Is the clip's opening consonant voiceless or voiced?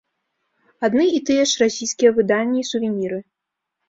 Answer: voiced